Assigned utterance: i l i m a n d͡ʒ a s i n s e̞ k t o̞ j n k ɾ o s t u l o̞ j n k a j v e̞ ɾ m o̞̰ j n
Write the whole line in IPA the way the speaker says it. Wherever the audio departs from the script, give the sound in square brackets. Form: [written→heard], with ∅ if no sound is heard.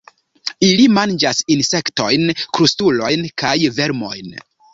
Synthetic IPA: i l i m a n d͡ʒ a s i n s e̞ k t o̞ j n k ɾ [o→u] s t u l o̞ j n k a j v e̞ ɾ m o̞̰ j n